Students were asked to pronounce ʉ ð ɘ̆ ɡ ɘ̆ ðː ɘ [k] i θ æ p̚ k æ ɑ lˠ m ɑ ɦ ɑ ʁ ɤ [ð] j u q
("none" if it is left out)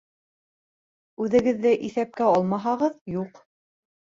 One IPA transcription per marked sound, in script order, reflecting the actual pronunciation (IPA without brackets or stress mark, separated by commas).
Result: ʔ, ð